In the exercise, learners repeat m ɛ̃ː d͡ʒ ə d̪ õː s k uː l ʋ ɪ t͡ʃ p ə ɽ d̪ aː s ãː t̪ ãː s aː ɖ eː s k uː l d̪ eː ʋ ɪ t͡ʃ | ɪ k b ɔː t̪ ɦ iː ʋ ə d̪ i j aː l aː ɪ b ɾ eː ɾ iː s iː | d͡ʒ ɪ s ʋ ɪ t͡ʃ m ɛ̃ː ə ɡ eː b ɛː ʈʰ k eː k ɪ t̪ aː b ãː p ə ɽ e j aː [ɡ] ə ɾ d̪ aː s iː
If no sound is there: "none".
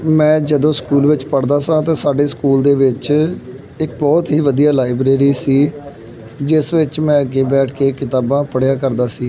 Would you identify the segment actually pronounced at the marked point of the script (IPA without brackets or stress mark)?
k